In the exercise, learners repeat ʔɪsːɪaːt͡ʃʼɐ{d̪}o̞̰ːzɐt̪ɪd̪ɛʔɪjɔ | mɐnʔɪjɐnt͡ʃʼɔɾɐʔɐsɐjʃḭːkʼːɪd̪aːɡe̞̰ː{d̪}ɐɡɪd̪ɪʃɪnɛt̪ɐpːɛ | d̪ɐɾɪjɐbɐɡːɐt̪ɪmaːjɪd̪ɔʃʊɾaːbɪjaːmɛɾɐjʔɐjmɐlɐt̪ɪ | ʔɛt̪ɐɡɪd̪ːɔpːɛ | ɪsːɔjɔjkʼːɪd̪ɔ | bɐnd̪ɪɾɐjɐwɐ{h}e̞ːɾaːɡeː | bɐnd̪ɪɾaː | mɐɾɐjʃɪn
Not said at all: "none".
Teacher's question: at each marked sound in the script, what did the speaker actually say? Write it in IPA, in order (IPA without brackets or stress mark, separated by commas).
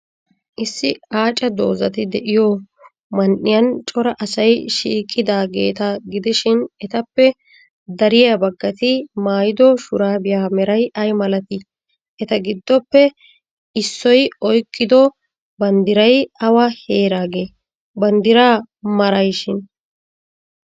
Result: d̪, t̪, h